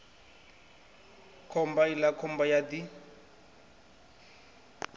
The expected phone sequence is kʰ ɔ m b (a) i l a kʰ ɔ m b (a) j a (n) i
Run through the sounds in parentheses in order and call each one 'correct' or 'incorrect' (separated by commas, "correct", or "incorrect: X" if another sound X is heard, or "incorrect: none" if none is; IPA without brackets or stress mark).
correct, correct, incorrect: d